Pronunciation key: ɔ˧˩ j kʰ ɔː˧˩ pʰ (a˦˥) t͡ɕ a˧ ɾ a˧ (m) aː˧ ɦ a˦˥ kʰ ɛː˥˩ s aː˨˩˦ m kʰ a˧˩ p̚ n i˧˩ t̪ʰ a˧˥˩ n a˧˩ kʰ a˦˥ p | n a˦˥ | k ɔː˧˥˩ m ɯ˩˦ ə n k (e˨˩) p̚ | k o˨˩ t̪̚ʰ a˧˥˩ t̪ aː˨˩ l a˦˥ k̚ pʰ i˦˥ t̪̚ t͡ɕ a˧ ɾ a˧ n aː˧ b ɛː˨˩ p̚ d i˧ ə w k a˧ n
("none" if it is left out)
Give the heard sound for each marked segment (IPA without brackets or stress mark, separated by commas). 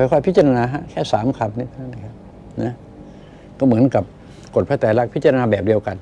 i˦˥, n, a˨˩